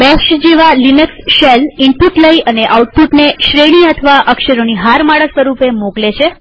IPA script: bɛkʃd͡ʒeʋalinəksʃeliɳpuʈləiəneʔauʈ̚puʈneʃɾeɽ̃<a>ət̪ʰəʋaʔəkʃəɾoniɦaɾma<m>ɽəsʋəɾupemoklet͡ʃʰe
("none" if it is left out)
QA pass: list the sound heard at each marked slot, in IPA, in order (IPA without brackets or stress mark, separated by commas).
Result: i, none